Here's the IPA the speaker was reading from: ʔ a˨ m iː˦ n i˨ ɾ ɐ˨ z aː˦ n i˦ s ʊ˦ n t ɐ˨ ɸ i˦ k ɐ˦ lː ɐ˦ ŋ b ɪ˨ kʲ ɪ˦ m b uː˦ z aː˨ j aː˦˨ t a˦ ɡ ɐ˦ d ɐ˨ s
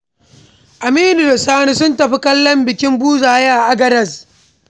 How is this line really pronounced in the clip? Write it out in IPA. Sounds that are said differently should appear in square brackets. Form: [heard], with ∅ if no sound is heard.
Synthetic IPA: ʔ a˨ m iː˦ n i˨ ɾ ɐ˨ [s] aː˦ n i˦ s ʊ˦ n t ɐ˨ ɸ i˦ k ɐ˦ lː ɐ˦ [m] b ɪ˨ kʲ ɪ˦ m b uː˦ z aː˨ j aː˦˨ [ʔ] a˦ ɡ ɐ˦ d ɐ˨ s

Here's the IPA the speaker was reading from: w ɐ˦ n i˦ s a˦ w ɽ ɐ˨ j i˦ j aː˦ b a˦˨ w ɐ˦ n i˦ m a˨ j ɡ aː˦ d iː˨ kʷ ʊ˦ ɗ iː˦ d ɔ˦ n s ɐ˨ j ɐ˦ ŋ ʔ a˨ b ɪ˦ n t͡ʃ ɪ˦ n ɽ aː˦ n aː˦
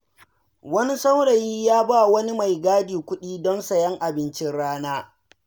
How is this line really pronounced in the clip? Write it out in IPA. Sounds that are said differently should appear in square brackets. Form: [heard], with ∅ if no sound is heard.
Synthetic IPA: w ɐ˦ n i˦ s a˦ w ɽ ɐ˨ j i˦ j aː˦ b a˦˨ w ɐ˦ n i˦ m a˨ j ɡ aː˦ d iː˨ kʷ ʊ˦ ɗ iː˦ d ɔ˦ n s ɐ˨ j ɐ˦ ŋ ʔ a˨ b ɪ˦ n t͡ʃ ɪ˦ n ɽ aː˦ n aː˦

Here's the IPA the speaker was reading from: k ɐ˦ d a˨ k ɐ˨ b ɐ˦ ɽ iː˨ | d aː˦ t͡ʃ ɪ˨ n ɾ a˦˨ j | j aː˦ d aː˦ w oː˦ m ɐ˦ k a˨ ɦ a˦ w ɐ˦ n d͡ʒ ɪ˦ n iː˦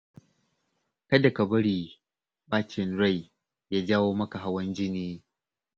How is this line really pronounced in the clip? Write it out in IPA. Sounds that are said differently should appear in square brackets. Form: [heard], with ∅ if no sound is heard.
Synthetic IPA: k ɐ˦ d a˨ k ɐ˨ b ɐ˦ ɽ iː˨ | [b] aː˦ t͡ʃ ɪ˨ n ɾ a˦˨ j | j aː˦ [d͡ʒ] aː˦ w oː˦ m ɐ˦ k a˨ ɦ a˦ w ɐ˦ n d͡ʒ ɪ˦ n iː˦

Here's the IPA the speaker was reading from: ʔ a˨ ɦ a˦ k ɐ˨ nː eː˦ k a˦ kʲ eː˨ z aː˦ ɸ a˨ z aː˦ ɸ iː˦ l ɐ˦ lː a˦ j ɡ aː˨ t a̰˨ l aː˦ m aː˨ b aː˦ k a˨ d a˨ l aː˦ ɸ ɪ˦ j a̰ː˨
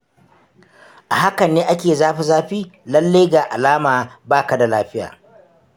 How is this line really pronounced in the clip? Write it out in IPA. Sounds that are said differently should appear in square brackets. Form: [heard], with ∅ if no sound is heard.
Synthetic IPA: ʔ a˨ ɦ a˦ k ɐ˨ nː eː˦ [ʔ] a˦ kʲ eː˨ z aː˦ ɸ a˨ z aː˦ ɸ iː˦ l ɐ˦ lː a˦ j ɡ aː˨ [ʔ] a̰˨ l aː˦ m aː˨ b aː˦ k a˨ d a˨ l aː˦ ɸ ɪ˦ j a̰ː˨

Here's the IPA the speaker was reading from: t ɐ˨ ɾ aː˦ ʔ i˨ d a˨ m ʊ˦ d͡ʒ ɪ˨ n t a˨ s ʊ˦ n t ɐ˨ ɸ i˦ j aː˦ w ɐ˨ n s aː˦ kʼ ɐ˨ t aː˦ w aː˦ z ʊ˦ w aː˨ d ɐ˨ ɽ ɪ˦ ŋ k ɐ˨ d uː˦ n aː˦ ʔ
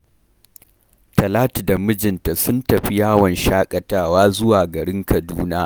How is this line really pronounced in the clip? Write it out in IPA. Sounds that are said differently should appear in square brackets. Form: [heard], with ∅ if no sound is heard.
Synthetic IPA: t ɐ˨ [l] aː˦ [t] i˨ d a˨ m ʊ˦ d͡ʒ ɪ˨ n t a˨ s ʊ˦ n t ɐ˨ ɸ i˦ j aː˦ w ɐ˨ n [ʃ] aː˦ kʼ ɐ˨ t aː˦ w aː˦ z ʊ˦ w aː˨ [ɡ] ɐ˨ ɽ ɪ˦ ŋ k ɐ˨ d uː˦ n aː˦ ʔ

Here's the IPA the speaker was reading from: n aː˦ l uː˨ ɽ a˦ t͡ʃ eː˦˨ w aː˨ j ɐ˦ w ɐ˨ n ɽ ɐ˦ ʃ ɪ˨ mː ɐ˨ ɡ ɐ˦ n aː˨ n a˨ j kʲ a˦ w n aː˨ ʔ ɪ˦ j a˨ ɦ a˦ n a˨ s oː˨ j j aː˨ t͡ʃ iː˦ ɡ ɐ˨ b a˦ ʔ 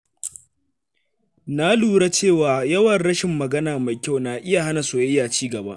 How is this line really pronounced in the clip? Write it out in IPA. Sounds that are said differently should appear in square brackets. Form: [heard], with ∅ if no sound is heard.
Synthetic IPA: n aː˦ l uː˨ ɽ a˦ t͡ʃ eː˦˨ w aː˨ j ɐ˦ w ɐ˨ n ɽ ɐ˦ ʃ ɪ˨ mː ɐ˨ ɡ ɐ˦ n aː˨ [m] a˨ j kʲ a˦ w n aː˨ ʔ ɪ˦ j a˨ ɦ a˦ n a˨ s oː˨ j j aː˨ t͡ʃ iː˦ ɡ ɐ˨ b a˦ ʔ

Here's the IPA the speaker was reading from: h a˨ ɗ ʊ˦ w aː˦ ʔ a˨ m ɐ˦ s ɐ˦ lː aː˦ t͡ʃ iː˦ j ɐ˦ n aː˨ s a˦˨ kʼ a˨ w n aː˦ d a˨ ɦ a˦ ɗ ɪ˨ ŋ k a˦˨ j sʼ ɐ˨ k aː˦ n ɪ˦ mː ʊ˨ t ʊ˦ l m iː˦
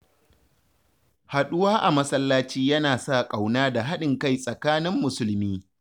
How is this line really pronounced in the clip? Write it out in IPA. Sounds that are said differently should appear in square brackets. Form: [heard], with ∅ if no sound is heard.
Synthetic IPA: h a˨ ɗ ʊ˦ w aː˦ ʔ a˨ m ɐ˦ s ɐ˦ lː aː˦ t͡ʃ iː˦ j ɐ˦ n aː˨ s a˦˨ kʼ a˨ w n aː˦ d a˨ ɦ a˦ ɗ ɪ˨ ŋ k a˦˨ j sʼ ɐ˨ k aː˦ n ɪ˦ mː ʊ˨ [s] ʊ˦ l m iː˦

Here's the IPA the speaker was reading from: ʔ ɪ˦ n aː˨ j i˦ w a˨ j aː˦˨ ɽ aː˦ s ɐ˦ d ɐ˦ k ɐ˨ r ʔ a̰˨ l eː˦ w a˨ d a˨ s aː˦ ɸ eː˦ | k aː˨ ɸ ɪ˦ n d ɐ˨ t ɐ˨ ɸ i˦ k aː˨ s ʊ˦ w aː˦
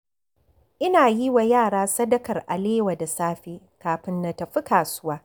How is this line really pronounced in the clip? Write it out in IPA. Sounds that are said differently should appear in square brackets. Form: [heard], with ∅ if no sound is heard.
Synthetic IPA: ʔ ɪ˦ n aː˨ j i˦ w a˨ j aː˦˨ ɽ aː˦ s ɐ˦ d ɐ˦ k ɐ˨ r ʔ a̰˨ l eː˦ w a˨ d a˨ s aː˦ ɸ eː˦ | k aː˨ ɸ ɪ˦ n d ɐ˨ t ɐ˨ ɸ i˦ k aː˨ s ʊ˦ w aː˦

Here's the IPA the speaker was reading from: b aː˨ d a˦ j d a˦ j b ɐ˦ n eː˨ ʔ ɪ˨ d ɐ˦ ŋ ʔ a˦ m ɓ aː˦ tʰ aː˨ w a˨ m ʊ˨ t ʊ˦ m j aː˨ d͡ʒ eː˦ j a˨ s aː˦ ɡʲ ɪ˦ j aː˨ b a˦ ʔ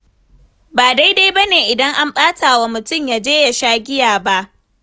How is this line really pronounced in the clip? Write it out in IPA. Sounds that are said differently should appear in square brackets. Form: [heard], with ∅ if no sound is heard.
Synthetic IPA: b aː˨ d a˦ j d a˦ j b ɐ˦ n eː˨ ʔ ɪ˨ d ɐ˦ ŋ ʔ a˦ m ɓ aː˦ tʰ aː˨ w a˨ m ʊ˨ t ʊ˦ m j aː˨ d͡ʒ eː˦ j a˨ [ʃ] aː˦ ɡʲ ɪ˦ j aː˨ b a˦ ʔ

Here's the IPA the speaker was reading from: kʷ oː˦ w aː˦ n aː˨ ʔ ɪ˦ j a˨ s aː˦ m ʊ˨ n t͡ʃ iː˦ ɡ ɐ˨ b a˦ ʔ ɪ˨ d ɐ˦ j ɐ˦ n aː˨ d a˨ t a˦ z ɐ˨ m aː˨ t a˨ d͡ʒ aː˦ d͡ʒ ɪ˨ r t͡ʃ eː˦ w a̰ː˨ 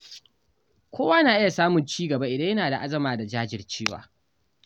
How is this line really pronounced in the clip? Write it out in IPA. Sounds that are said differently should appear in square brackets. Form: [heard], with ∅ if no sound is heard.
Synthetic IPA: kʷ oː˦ w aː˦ n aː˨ ʔ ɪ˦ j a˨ s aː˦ m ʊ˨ n t͡ʃ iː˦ ɡ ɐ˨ b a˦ ʔ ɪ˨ d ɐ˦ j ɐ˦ n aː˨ d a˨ [ʔ] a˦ z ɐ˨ m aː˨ [d] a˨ d͡ʒ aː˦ d͡ʒ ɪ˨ r t͡ʃ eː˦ w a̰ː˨

